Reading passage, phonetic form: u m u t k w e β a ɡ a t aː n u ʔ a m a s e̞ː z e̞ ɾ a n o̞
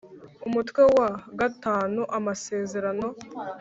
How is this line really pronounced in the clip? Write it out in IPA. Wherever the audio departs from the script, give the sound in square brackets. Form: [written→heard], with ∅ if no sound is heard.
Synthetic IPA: u m u t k w e [β→w] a ɡ a t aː n u ʔ a m a s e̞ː z e̞ ɾ a n o̞